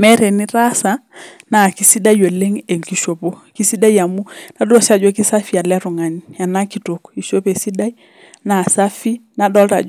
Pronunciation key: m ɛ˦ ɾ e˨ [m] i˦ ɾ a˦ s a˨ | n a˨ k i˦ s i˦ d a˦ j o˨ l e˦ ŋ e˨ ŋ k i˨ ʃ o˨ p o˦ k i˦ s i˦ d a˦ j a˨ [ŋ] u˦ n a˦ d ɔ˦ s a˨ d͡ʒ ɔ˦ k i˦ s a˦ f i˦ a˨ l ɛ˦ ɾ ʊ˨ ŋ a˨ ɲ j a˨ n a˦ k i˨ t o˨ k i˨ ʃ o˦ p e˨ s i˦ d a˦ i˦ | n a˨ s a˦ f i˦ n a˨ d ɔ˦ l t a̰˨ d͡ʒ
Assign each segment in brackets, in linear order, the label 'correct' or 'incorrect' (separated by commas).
incorrect, incorrect